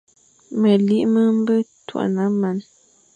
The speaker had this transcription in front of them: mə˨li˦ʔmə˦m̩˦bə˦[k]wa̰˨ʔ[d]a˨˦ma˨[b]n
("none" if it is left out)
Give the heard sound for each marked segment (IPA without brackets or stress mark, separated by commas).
t, n, none